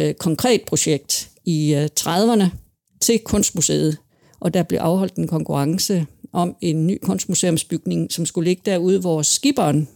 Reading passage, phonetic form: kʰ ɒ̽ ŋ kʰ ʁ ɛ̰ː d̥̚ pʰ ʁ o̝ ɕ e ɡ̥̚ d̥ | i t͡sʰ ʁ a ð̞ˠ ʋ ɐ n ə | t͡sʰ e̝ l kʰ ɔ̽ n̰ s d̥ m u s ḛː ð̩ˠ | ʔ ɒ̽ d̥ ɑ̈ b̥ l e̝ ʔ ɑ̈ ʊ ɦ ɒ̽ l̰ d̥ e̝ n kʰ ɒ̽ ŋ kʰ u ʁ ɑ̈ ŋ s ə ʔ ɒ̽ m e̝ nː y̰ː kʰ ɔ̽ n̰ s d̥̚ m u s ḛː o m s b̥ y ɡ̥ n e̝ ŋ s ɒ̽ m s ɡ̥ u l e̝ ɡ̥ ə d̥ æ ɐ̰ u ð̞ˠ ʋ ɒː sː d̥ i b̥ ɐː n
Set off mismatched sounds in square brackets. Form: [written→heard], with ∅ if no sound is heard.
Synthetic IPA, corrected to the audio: kʰ ɒ̽ ŋ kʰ ʁ ɛ̰ː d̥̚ pʰ ʁ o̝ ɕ e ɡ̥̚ d̥ | i t͡sʰ ʁ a ð̞ˠ ʋ ɐ n ə | t͡sʰ e̝ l kʰ ɔ̽ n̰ s d̥ m u s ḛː ð̩ˠ | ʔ ɒ̽ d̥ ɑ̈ b̥ l e̝ ʔ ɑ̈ ʊ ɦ ɒ̽ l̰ d̥ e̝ n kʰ ɒ̽ ŋ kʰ u ʁ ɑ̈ ŋ s ə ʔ ɒ̽ m e̝ nː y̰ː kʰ ɔ̽ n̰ s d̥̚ m u s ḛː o m s b̥ y ɡ̥ n e̝ ŋ s ɒ̽ m s ɡ̥ u l e̝ ɡ̥ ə d̥ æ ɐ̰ u ð̞ˠ ʋ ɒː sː [d̥→ɡ̥] i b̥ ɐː n